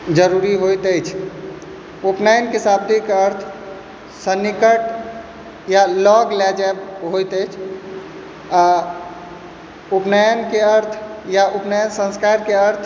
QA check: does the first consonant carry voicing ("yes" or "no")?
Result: yes